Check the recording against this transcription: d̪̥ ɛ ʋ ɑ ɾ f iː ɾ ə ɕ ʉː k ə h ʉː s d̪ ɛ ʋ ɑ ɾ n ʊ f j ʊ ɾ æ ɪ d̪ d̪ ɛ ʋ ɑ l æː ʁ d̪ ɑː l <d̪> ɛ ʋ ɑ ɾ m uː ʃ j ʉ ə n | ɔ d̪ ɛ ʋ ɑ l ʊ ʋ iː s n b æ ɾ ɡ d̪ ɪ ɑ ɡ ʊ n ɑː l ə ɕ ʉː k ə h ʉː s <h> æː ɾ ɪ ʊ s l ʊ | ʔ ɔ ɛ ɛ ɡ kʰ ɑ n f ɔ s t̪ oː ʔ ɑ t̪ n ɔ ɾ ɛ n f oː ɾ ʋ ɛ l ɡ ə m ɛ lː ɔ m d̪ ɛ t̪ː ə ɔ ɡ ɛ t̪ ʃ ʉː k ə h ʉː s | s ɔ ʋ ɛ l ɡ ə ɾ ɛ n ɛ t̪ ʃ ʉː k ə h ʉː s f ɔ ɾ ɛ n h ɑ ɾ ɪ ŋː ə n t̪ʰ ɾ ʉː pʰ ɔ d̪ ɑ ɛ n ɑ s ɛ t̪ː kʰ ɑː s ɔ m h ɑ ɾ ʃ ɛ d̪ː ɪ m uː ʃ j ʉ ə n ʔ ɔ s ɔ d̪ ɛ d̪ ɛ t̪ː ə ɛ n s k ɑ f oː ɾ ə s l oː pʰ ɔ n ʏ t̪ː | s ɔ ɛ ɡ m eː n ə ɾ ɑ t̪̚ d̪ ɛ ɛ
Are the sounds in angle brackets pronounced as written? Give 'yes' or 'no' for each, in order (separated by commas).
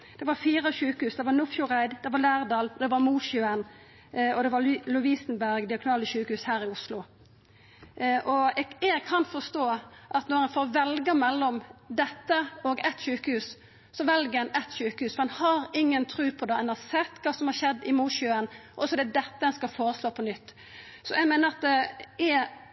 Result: yes, yes